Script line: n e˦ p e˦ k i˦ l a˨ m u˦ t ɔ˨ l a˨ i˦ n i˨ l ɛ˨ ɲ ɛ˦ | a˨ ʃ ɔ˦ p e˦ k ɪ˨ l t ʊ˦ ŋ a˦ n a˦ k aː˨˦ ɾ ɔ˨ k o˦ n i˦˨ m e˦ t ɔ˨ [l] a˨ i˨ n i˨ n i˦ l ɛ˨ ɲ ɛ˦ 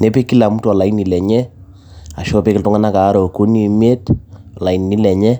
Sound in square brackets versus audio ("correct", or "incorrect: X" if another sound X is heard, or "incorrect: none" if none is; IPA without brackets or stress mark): correct